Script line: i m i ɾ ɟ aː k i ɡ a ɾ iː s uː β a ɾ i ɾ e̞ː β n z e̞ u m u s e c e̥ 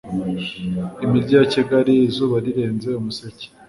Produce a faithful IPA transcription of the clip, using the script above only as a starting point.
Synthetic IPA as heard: i m i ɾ ɟ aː c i ɡ a ɾ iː z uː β a ɾ i ɾ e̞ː n z e̞ u m u s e c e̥